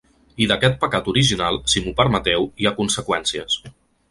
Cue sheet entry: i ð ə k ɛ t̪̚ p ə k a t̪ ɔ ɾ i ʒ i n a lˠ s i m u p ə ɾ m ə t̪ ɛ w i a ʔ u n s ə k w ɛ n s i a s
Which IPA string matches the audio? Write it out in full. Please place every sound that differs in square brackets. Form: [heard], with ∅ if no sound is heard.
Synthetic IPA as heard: i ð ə k ɛ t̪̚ p ə k a t̪ [u] ɾ i ʒ i n a lˠ s i m u p ə ɾ m ə t̪ ɛ w i a [k] u n s ə k w ɛ n s i [ə] s